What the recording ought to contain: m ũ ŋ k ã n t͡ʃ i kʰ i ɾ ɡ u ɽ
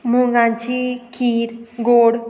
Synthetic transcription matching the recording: m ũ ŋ ɡ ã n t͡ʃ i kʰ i ɾ ɡ o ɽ